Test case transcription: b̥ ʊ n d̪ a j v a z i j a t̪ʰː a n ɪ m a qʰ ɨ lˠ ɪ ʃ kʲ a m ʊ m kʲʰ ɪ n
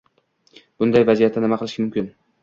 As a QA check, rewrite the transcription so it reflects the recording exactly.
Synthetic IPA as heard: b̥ ʊ n d̪ a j v a z i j a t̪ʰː a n ɪ m a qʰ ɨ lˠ ɪ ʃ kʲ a m ʊ m kʲ ɪ n